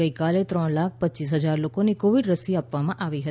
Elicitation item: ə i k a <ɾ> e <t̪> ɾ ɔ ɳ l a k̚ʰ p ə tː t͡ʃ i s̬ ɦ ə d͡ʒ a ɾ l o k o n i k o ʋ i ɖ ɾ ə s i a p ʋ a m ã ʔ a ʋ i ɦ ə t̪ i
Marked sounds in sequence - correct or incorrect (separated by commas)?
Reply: incorrect, correct